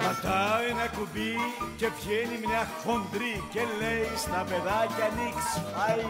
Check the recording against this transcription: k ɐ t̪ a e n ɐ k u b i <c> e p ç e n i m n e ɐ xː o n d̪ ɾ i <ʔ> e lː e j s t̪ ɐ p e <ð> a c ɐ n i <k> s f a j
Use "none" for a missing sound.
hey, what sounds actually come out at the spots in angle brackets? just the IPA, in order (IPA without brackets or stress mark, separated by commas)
c, c, ð, k